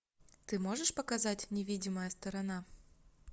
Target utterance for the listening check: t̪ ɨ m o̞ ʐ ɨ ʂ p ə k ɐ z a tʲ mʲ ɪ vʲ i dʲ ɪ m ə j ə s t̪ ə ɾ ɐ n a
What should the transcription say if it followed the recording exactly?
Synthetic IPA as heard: t̪ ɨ m o̞ ʐ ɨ ʂ p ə k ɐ z a tʲ nʲ ɪ vʲ i dʲ ɪ m ə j ə s t̪ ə ɾ ɐ n a